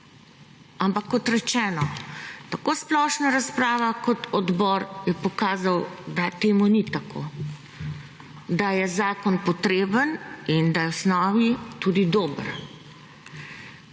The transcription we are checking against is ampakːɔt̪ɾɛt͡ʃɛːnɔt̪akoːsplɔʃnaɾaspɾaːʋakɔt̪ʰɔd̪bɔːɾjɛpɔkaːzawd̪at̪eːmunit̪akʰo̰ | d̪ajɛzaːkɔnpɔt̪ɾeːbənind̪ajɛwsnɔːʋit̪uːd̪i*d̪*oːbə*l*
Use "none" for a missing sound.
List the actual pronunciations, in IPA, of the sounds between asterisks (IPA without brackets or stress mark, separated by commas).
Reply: d̪, ɾ